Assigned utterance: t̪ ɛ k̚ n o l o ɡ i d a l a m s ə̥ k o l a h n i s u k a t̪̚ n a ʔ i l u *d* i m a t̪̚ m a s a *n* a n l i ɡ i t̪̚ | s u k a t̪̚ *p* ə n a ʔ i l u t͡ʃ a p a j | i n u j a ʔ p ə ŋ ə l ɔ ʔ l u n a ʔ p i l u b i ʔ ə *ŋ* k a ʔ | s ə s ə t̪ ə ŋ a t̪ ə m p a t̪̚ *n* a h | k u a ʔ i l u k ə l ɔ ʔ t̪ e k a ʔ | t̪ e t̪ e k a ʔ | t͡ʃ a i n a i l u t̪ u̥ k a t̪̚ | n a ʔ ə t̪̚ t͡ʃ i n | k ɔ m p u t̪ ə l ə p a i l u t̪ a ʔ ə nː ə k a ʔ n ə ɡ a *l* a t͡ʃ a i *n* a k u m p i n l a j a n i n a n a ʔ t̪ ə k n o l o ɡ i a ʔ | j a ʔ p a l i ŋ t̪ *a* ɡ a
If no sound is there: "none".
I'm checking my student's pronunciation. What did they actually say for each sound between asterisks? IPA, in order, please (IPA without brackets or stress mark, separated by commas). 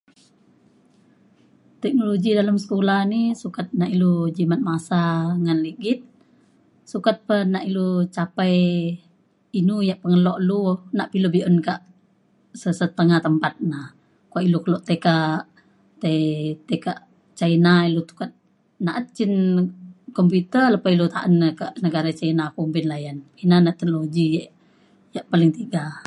d͡ʒ, ŋ, p, n, n, ɾ, n, i